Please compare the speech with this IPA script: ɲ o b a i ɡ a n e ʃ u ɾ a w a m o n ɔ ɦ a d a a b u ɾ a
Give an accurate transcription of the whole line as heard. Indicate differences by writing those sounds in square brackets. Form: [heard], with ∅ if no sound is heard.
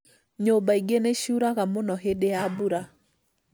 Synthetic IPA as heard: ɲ o b a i ɡ [e] n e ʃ u ɾ a [ɣ] a m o n ɔ ɦ [e] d [e] a b u ɾ a